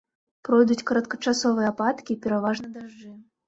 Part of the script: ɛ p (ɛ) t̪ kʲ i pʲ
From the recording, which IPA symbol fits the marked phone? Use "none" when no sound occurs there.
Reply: a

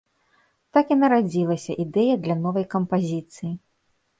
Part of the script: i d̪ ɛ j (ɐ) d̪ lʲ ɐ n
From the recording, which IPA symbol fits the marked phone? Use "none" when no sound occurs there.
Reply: ɐ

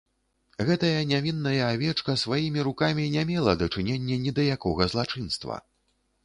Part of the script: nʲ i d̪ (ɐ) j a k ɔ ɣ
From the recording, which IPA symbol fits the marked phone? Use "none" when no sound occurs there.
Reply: ɐ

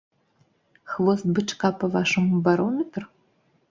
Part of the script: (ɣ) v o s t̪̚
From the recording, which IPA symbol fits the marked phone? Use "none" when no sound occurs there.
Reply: x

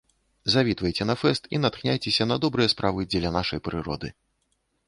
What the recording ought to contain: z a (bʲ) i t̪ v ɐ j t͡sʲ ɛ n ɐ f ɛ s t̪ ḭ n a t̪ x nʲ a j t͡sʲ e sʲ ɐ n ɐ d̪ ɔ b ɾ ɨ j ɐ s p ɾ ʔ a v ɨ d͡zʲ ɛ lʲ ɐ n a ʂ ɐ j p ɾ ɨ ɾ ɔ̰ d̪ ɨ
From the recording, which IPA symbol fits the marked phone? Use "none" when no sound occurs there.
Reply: vʲ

